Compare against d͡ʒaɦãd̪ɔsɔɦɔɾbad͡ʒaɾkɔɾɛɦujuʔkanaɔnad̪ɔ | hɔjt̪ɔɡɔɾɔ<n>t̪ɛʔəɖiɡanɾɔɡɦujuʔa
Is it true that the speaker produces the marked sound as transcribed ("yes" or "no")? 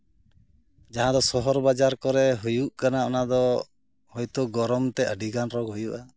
no